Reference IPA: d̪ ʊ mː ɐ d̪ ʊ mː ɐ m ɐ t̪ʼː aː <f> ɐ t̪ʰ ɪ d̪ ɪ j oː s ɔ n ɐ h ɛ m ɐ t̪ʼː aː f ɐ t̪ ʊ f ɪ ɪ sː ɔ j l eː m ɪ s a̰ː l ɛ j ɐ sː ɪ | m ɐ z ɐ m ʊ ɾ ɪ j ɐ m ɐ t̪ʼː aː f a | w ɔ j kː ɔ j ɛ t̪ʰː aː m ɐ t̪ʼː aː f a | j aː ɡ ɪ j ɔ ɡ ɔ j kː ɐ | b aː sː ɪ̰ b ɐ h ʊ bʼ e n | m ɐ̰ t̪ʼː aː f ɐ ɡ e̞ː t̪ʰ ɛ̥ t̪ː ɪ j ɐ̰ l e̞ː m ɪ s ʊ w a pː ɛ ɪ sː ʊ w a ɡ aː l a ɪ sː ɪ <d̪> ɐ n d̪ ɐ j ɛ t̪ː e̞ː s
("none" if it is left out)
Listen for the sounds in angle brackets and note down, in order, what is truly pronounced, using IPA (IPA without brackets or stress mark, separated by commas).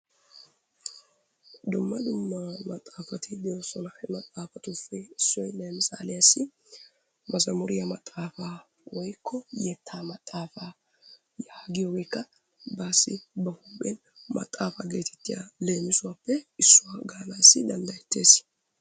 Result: f, d̪